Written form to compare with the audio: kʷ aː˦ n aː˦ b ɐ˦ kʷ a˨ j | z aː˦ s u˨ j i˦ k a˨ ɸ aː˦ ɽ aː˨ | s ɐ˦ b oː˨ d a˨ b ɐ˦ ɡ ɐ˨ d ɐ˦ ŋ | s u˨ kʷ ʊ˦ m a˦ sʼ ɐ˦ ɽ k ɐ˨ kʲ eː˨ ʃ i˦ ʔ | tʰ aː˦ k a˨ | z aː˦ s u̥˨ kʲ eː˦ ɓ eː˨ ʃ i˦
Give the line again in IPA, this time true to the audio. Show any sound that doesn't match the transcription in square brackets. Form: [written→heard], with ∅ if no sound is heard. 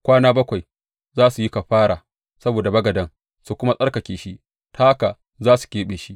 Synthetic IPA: kʷ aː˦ n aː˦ b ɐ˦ kʷ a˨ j | z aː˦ s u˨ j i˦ k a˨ ɸ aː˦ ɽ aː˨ | s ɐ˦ b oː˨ d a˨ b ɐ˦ ɡ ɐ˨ d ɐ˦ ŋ | s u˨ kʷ ʊ˦ m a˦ sʼ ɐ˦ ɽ k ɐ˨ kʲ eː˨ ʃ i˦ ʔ | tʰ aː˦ k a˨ | z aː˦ s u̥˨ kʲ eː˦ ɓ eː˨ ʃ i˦